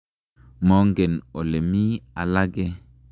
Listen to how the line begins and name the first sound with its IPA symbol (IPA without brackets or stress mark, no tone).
m